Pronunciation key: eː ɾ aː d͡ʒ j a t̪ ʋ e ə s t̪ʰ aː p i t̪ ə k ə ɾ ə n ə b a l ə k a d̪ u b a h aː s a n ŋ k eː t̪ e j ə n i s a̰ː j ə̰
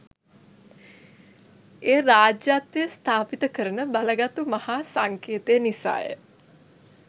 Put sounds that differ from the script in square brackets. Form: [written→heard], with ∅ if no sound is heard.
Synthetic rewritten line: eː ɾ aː d͡ʒ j a t̪ ʋ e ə s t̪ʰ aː p i t̪ ə k ə ɾ ə n ə b a l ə [k→ɡ] a [d̪→t̪] u [b→m] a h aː s a [n→∅] ŋ k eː t̪ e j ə n i s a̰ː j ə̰

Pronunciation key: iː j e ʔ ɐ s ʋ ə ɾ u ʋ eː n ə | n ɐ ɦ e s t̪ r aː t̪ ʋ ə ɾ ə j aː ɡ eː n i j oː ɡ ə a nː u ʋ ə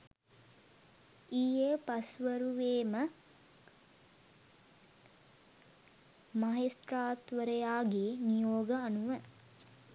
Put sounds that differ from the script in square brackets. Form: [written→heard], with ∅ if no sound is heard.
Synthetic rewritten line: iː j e [ʔ→p] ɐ s ʋ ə ɾ u ʋ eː [n→m] ə | [n→m] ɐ ɦ e s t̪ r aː t̪ ʋ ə ɾ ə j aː ɡ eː n i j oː ɡ ə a [nː→n] u ʋ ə

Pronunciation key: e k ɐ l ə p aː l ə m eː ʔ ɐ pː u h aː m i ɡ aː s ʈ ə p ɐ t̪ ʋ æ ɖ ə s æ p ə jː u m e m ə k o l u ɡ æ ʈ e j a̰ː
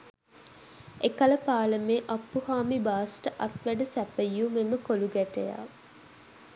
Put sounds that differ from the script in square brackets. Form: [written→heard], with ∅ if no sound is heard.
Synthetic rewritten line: e k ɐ l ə p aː l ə m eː ʔ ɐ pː u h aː m i [ɡ→b] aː s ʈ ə [p→ʔ] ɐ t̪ ʋ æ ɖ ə s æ p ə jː u m e m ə k o l u ɡ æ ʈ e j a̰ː

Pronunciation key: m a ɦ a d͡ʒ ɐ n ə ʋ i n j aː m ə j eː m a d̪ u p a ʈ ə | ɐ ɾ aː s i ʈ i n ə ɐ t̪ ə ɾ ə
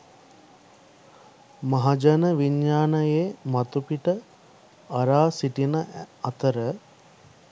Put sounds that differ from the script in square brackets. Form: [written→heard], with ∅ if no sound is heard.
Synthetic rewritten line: m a ɦ a d͡ʒ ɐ n ə ʋ i [n→ɲ] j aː [m→n] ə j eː m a [d̪→t̪] u p [a→i] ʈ ə | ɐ ɾ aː s i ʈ i n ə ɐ t̪ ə ɾ ə

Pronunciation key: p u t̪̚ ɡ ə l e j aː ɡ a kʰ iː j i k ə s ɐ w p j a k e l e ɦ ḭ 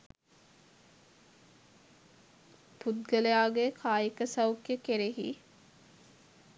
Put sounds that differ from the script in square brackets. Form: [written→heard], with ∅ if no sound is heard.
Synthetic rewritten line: p u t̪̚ ɡ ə l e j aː ɡ [a→e] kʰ [iː→aː] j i k ə s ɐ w [p→k] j [a→ə] k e [l→ɾ] e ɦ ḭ

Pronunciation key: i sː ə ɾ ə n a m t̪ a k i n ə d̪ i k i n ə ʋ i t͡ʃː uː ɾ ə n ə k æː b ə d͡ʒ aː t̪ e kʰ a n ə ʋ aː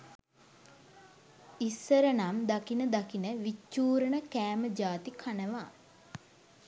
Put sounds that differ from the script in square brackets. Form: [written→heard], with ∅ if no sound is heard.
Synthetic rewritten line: i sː ə ɾ ə n a m [t̪→d̪] a k i n ə d̪ [i→a] k i n ə ʋ i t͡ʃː uː ɾ ə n ə k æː [b→m] ə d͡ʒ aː t̪ [e→i] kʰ a n ə ʋ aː

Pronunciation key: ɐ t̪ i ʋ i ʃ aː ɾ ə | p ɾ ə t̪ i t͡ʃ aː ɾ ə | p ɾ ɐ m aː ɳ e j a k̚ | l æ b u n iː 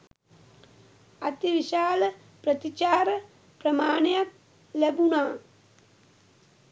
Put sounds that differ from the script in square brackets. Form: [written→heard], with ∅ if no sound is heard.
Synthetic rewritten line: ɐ t̪ i ʋ i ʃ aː [ɾ→l] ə | p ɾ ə t̪ i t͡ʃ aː ɾ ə | p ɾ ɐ m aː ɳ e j a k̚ | l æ b u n [iː→aː]

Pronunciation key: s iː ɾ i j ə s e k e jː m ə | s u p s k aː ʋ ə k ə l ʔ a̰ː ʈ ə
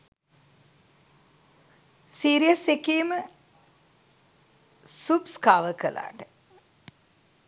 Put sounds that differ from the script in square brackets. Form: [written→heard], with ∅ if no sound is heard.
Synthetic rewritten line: s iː ɾ i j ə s e k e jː m ə | s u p s k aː ʋ ə k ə l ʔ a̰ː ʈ ə

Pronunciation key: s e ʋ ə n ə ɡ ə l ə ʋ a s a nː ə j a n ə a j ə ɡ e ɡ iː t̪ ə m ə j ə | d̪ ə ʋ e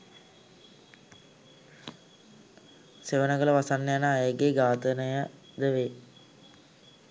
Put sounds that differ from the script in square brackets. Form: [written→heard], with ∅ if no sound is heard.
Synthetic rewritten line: s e ʋ ə n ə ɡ ə l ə ʋ a s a nː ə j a n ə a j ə ɡ e ɡ [iː→aː] t̪ ə [m→n] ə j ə | d̪ ə ʋ e

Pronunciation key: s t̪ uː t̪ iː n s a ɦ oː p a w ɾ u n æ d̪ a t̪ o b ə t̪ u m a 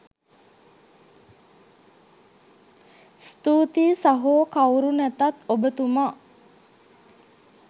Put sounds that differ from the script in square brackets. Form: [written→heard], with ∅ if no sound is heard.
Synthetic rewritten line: s t̪ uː t̪ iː [n→∅] s a ɦ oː [p→k] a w ɾ u n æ [d̪→t̪] a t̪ o b ə t̪ u m a

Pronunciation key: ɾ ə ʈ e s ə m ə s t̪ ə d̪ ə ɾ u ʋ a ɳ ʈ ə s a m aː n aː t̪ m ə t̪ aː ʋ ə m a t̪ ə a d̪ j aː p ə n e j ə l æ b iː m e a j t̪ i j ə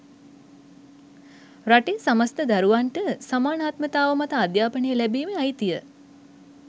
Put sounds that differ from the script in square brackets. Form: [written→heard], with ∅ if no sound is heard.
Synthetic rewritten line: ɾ [ə→a] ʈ e s [ə→a] m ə s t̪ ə d̪ [ə→a] ɾ u ʋ a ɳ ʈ ə s a m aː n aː t̪ m ə t̪ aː ʋ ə m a t̪ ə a d̪ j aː p ə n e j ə l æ b iː m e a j t̪ i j ə

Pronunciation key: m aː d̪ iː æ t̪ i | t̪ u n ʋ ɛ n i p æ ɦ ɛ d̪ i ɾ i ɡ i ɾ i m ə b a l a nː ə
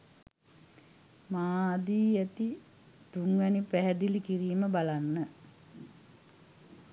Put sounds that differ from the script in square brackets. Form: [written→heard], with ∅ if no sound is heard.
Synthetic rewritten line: m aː d̪ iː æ t̪ i | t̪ u [n→ŋ] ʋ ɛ n i p æ ɦ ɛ d̪ i [ɾ→l] i [ɡ→k] i ɾ [i→iː] m ə b a l a nː ə

